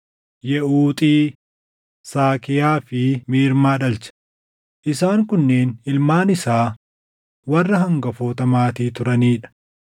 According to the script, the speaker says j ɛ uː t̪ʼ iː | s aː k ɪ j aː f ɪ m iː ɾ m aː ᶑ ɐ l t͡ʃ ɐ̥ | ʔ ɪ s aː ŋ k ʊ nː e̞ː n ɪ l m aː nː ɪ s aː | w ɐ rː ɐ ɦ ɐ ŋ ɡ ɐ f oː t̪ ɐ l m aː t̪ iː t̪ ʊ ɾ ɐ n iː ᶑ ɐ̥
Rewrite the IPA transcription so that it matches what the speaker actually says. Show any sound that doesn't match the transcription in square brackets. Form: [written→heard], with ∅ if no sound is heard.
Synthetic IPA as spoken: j ɛ uː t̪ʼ iː | s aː k ɪ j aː f ɪ m iː ɾ m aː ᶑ ɐ l t͡ʃ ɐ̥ | ʔ ɪ s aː ŋ k ʊ nː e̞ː n ɪ l m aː [nː→n] ɪ s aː | w ɐ rː ɐ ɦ ɐ ŋ ɡ ɐ f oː t̪ ɐ [l→∅] m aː t̪ iː t̪ ʊ ɾ ɐ n iː ᶑ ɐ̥

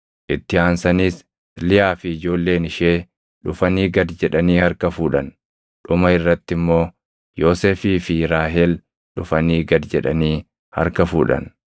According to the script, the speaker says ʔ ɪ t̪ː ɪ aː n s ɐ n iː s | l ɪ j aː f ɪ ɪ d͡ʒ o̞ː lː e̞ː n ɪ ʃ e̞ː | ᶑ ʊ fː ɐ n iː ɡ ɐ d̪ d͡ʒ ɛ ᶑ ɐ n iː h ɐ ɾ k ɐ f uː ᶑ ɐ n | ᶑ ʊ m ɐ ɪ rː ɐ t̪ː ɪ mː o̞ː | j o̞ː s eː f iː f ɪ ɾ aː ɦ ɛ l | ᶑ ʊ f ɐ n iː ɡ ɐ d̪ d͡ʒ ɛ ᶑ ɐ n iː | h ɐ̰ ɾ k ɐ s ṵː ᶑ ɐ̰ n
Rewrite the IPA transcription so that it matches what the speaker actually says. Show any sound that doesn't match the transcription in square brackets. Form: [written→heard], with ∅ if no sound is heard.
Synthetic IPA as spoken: ʔ ɪ t̪ː ɪ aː n s ɐ n iː s | l ɪ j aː f ɪ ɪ d͡ʒ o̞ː lː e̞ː n ɪ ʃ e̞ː | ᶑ ʊ [fː→f] ɐ n iː ɡ ɐ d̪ d͡ʒ ɛ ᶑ ɐ n iː h ɐ ɾ k ɐ f uː ᶑ ɐ n | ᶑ ʊ m ɐ ɪ rː ɐ t̪ː ɪ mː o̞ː | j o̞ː s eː f iː f ɪ ɾ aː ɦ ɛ l | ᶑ ʊ f ɐ n iː ɡ ɐ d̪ d͡ʒ ɛ ᶑ ɐ n iː | h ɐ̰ ɾ k ɐ [s→f] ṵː ᶑ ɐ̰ n

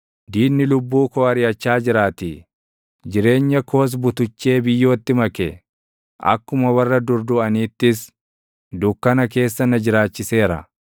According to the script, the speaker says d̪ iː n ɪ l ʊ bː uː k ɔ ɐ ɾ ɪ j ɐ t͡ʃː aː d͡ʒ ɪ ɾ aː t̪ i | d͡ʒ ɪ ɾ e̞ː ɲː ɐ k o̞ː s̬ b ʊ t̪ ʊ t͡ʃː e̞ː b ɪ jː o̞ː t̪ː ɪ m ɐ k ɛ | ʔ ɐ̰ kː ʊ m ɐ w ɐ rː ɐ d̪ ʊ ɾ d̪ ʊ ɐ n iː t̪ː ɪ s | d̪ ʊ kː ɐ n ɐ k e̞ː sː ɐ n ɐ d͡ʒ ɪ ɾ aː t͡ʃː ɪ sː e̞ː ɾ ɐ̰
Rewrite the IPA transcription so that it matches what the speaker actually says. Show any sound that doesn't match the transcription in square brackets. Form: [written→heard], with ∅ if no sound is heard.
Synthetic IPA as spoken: d̪ iː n ɪ l ʊ bː uː k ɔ ɐ ɾ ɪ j ɐ t͡ʃː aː d͡ʒ ɪ ɾ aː t̪ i | d͡ʒ ɪ ɾ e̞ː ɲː ɐ k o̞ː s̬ b ʊ t̪ ʊ t͡ʃː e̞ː b ɪ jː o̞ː t̪ː ɪ m ɐ k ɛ | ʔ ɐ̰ kː ʊ m ɐ w ɐ rː ɐ d̪ ʊ ɾ d̪ ʊ ɐ n iː t̪ː ɪ s | d̪ ʊ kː ɐ n ɐ k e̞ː sː ɐ n ɐ d͡ʒ ɪ ɾ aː t͡ʃː ɪ [sː→s] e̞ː ɾ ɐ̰

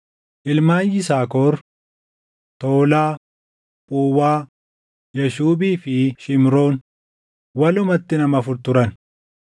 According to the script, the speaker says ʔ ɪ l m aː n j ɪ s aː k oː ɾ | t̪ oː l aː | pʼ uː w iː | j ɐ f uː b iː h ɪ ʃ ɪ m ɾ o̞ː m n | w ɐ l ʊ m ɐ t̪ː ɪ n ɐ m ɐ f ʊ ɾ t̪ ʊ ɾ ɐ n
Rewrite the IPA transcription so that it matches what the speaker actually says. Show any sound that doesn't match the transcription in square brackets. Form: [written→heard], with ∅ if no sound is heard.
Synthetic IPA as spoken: ʔ ɪ l m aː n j ɪ s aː k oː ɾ | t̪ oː l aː | pʼ uː w [iː→aː] | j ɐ [f→ʃ] uː b iː [h→f] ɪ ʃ ɪ m ɾ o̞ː [m→∅] n | w ɐ l ʊ m ɐ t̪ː ɪ n ɐ m ɐ f ʊ ɾ t̪ ʊ ɾ ɐ n

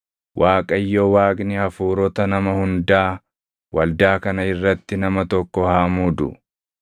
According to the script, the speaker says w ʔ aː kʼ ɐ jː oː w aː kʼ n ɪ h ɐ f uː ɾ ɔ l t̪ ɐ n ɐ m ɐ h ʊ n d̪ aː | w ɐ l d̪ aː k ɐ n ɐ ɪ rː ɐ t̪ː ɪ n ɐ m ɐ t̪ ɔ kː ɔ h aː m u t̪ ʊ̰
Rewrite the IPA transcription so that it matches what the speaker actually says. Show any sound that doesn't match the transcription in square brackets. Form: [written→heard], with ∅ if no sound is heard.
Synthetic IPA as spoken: w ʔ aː kʼ ɐ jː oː w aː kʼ n ɪ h ɐ f uː ɾ ɔ [l→∅] t̪ ɐ n ɐ m ɐ h ʊ n d̪ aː | w ɐ l d̪ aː k ɐ n ɐ ɪ rː ɐ t̪ː ɪ n ɐ m ɐ t̪ ɔ kː ɔ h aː m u [t̪→d̪] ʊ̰

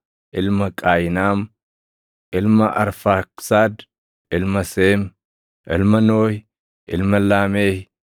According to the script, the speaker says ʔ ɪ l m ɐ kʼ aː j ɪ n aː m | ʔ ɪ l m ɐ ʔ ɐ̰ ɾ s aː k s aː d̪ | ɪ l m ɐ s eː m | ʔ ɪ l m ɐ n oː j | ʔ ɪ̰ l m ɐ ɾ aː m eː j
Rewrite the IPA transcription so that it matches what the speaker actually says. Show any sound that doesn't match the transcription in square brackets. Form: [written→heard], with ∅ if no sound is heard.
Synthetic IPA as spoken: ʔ ɪ l m ɐ kʼ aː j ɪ n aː m | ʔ ɪ l m ɐ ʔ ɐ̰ ɾ [s→f] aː k s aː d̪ | ɪ l m ɐ s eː m | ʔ ɪ l m ɐ n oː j | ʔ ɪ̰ l m ɐ [ɾ→l] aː m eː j

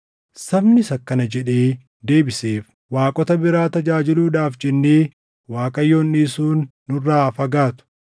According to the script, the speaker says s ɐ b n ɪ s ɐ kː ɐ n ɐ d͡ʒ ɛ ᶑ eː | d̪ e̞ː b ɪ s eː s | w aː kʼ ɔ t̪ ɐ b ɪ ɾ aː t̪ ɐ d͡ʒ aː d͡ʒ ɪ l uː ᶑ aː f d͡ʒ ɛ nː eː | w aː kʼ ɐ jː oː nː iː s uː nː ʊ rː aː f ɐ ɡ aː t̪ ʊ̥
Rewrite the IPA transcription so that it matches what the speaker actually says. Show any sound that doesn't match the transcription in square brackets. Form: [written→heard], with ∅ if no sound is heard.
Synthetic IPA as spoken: s ɐ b n ɪ s ɐ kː ɐ n ɐ d͡ʒ ɛ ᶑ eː | d̪ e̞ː b ɪ s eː [s→f] | w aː kʼ ɔ t̪ ɐ b ɪ ɾ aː t̪ ɐ d͡ʒ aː d͡ʒ ɪ l uː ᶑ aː f d͡ʒ ɛ nː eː | w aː kʼ ɐ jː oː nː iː s uː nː ʊ rː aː f ɐ ɡ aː t̪ ʊ̥

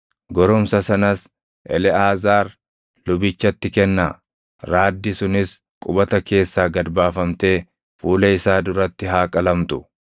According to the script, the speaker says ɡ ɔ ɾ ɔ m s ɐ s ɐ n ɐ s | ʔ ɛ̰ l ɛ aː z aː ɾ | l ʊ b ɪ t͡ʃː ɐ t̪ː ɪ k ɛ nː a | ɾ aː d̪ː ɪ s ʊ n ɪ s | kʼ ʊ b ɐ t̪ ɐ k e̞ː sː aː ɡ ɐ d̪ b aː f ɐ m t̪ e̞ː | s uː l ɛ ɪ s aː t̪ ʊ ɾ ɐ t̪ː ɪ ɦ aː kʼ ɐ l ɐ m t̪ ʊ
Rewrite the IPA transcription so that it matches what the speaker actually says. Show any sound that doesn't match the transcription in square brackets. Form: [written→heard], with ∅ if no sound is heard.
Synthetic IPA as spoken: ɡ ɔ ɾ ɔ m s ɐ s ɐ n ɐ s | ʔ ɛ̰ l ɛ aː z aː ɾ | l ʊ b ɪ t͡ʃː ɐ t̪ː ɪ k ɛ nː a | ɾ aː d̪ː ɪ s ʊ n ɪ s | kʼ ʊ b ɐ t̪ ɐ k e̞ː sː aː ɡ ɐ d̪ b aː f ɐ m t̪ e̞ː | [s→f] uː l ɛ ɪ s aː [t̪→d̪] ʊ ɾ ɐ t̪ː ɪ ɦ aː kʼ ɐ l ɐ m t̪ ʊ

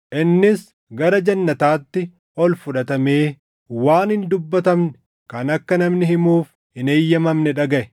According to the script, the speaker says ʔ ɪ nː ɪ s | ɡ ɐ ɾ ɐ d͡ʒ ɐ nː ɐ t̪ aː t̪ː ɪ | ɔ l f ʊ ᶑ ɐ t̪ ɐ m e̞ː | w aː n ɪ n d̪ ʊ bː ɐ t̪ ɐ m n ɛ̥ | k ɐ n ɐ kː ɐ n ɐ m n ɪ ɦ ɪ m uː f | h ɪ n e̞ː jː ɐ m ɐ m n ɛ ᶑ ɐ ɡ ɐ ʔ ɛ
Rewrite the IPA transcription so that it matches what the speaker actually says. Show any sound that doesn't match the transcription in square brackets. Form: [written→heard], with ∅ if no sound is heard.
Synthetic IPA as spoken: ʔ ɪ nː ɪ s | ɡ ɐ ɾ ɐ d͡ʒ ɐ nː ɐ t̪ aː t̪ː ɪ | ɔ l f ʊ ᶑ ɐ t̪ ɐ m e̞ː | w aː n ɪ n d̪ ʊ bː ɐ t̪ ɐ m n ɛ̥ | k ɐ n ɐ kː ɐ n ɐ m n ɪ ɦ ɪ m uː f | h ɪ n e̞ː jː ɐ m ɐ m n ɛ ᶑ ɐ ɡ ɐ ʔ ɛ

